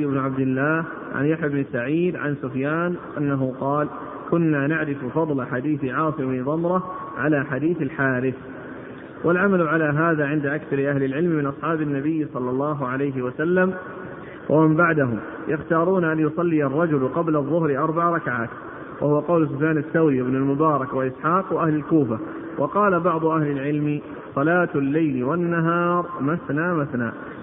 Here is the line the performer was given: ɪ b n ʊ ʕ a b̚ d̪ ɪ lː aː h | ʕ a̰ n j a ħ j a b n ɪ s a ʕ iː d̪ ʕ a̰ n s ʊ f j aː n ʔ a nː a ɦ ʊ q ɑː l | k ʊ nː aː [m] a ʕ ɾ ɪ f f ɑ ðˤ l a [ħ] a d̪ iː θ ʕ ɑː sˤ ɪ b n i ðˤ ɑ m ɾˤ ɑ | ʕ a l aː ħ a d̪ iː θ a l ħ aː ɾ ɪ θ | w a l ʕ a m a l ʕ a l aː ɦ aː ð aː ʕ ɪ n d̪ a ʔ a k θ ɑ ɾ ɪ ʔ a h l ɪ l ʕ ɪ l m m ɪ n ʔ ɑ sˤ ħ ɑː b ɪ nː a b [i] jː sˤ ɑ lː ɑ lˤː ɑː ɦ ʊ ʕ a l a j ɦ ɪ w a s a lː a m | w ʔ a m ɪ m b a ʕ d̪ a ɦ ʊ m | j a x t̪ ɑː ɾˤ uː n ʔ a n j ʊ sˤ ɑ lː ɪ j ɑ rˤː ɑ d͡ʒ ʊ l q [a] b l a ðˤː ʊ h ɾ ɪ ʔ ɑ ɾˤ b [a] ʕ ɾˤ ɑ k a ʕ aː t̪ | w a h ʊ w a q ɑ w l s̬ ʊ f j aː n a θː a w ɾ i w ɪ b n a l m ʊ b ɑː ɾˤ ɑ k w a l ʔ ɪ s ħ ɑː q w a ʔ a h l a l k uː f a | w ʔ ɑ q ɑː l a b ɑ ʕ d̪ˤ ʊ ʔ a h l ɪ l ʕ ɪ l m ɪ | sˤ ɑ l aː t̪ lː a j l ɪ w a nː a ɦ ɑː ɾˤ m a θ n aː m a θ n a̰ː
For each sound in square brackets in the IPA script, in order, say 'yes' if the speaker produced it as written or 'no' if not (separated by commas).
no, yes, no, no, yes